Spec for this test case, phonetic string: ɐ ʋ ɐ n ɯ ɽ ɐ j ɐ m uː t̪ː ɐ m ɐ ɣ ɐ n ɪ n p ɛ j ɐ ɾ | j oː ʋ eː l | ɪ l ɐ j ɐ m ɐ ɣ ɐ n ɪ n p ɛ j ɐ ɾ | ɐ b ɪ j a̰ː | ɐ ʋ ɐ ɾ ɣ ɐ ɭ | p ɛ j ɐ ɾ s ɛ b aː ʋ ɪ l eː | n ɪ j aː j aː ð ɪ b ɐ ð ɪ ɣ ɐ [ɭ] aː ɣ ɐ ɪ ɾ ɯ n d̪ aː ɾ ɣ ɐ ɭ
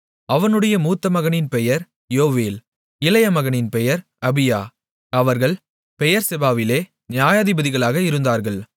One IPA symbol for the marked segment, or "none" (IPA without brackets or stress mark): ɭ